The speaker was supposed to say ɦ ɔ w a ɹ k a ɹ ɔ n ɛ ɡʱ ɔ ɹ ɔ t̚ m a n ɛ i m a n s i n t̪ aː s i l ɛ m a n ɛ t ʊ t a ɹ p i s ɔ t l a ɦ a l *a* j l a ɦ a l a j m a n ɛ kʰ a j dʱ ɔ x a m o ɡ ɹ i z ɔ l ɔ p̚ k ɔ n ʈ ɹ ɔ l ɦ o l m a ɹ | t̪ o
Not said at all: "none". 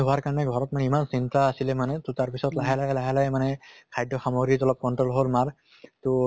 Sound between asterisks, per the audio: a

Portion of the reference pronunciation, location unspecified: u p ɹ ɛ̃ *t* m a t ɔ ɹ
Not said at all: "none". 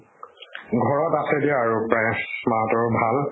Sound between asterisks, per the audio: s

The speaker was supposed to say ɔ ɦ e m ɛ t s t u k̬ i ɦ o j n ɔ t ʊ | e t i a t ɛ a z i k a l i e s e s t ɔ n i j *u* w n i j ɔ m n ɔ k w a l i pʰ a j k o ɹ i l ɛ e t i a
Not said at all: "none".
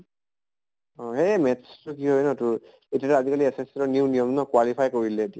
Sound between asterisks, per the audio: u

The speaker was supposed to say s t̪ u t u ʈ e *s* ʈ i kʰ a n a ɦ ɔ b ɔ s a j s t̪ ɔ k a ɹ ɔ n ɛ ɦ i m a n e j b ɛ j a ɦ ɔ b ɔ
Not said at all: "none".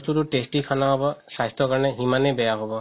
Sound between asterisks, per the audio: s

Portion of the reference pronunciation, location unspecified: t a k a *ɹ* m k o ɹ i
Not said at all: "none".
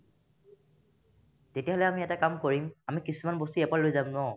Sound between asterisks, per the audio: none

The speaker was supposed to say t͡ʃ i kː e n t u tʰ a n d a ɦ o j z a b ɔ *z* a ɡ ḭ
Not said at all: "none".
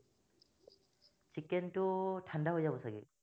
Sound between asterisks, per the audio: s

